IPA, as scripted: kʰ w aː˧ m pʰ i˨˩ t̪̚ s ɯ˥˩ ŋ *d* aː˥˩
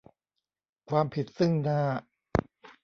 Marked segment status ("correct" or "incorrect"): incorrect